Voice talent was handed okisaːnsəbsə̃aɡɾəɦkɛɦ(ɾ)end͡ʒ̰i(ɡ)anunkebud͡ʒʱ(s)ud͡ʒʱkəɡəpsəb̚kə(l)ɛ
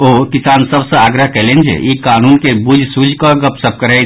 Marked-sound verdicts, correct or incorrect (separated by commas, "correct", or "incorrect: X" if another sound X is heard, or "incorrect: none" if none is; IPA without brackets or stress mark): incorrect: l, incorrect: k, correct, incorrect: ɾ